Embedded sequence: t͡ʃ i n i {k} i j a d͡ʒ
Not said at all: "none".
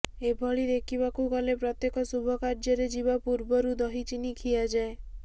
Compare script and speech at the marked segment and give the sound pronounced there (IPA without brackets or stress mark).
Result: kʰ